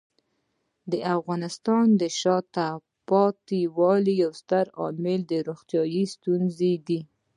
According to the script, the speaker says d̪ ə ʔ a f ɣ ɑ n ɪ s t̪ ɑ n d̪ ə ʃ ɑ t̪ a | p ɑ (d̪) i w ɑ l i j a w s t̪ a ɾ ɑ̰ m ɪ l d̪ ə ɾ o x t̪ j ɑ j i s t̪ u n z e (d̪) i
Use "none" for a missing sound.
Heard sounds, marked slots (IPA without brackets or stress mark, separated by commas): t̪, d̪